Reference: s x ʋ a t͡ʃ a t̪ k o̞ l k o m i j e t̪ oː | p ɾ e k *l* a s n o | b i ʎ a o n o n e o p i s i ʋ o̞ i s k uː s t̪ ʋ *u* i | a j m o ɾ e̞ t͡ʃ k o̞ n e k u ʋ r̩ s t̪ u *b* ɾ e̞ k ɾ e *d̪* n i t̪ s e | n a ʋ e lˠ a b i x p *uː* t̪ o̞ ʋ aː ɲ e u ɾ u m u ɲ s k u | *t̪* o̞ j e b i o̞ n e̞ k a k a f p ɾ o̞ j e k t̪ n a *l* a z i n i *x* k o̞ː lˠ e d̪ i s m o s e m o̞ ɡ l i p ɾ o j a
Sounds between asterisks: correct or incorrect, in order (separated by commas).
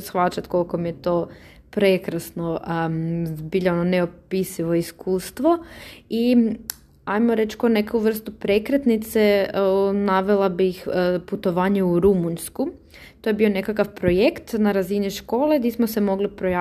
incorrect, incorrect, incorrect, incorrect, incorrect, correct, incorrect, incorrect